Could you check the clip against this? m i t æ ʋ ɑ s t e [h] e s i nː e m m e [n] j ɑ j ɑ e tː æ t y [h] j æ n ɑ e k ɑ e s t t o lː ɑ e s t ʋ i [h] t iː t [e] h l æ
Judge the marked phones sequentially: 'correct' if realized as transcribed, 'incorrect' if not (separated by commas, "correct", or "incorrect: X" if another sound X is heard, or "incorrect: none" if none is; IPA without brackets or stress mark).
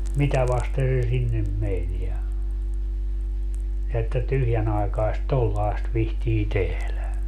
incorrect: s, correct, correct, correct, correct